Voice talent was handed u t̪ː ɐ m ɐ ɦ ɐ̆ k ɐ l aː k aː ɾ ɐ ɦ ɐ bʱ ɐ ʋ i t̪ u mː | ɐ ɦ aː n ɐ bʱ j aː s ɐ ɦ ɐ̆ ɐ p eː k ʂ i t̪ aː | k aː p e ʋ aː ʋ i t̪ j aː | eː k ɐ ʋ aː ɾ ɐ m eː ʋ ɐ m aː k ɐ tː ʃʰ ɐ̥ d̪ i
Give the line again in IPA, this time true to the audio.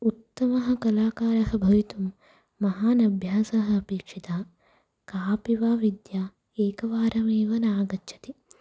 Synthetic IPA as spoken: u t̪ː ɐ m ɐ ɦ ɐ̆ k ɐ l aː k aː ɾ ɐ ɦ ɐ bʱ ɐ ʋ i t̪ u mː | ɐ ɦ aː n ɐ bʱ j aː s ɐ ɦ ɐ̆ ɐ p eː k ʂ i t̪ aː | k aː p i ʋ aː ʋ i d̪ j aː | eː k ɐ ʋ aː ɾ ɐ m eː ʋ ɐ n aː ɡ ɐ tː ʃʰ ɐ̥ t̪ i

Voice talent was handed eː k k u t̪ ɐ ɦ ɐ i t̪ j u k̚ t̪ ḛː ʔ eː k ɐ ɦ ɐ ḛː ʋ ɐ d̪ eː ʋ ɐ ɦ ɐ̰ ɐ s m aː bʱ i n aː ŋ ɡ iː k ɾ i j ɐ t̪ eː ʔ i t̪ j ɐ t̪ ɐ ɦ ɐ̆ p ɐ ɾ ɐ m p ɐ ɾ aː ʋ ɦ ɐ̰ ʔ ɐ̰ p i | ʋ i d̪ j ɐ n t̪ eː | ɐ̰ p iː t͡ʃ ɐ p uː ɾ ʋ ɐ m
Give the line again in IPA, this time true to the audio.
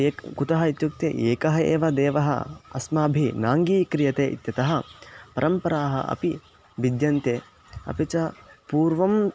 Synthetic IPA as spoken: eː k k u t̪ ɐ ɦ ɐ i t̪ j u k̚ t̪ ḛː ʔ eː k ɐ ɦ ɐ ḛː ʋ ɐ d̪ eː ʋ ɐ ɦ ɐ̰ ɐ s m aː bʱ i n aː ŋ ɡ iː k ɾ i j ɐ t̪ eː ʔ i t̪ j ɐ t̪ ɐ ɦ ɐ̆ p ɐ ɾ ɐ m p ɐ ɾ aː ɦ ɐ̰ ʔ ɐ̰ p i | ʋ i d̪ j ɐ n t̪ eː | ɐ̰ p i t͡ʃ ɐ p uː ɾ ʋ ɐ m

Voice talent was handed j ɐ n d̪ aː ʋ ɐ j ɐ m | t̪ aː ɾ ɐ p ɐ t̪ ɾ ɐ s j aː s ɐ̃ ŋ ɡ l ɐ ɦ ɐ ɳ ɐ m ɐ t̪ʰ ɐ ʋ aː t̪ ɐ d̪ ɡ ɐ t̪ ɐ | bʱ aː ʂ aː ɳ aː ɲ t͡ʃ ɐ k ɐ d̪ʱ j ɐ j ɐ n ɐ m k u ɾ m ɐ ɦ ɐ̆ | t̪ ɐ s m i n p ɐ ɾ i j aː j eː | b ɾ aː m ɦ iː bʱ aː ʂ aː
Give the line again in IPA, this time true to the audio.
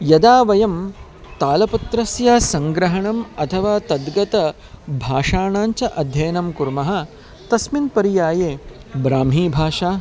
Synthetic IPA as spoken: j ɐ d̪ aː ʋ ɐ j ɐ m | t̪ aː l ɐ p ɐ t̪ ɾ ɐ s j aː s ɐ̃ ŋ ɡ ɾ ɐ ɦ ɐ ɳ ɐ m ɐ t̪ʰ ɐ ʋ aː t̪ ɐ d̪ ɡ ɐ t̪ ɐ | bʱ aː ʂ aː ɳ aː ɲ t͡ʃ ɐ ʔ ɐ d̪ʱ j ɐ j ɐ n ɐ m k u ɾ m ɐ ɦ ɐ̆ | t̪ ɐ s m i n p ɐ ɾ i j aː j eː | b ɾ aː m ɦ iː bʱ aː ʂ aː

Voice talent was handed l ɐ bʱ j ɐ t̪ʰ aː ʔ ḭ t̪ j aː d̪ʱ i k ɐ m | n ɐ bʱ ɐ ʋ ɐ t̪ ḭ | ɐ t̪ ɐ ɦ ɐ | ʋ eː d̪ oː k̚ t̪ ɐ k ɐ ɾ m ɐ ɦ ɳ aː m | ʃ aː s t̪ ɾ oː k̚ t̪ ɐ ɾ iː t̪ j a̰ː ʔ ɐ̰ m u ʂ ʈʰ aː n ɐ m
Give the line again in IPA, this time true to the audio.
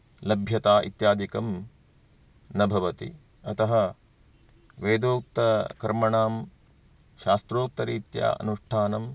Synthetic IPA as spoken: l ɐ bʱ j ɐ t̪ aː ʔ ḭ t̪ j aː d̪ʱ i k ɐ m | n ɐ bʱ ɐ ʋ ɐ t̪ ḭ | ɐ t̪ ɐ ɦ ɐ | ʋ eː d̪ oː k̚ t̪ ɐ k ɐ ɾ m ɐ ɳ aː m | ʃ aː s t̪ ɾ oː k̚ t̪ ɐ ɾ iː t̪ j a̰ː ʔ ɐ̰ n u ʂ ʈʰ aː n ɐ m

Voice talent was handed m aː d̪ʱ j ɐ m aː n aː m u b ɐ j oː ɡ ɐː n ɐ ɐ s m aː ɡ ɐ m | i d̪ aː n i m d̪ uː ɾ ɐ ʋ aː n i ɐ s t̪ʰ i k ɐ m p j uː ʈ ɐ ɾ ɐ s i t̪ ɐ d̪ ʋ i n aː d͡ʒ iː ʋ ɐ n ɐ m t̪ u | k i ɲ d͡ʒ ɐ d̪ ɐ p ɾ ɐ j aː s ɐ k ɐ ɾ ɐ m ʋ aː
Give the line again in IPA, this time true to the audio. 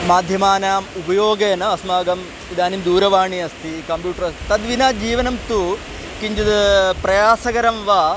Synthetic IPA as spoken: m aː d̪ʱ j ɐ m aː n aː m u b ɐ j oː ɡ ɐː n ɐ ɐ s m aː ɡ ɐ m | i d̪ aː n i m d̪ uː ɾ ɐ ʋ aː ɳ i ɐ s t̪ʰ i k ɐ m p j uː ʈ ɐ ɾ ɐ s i t̪ ɐ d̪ ʋ i n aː d͡ʒ iː ʋ ɐ n ɐ m t̪ u | k i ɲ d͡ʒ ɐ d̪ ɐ p ɾ ɐ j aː s ɐ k ɐ ɾ ɐ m ʋ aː

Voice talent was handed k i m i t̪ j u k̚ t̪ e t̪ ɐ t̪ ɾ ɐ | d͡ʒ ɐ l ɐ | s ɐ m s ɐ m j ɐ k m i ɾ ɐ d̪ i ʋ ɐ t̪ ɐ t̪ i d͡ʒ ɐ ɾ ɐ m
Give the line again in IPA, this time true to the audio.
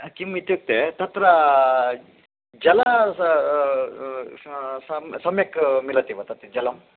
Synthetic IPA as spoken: k i m i t̪ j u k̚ t̪ e t̪ ɐ t̪ ɾ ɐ | d͡ʒ ɐ l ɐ | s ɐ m s ɐ m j ɐ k m i l ɐ t̪ i ʋ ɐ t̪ ɐ t̪ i d͡ʒ ɐ l ɐ m

